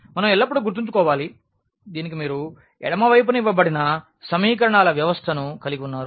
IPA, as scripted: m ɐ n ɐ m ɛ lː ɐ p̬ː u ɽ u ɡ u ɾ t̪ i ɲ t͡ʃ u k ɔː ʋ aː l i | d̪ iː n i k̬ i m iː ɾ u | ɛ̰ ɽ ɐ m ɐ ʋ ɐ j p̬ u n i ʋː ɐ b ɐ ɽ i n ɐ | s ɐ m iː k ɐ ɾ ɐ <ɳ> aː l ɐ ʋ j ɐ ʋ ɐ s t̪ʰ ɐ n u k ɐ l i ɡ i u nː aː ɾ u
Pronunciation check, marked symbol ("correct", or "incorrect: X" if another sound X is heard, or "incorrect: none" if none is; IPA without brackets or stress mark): correct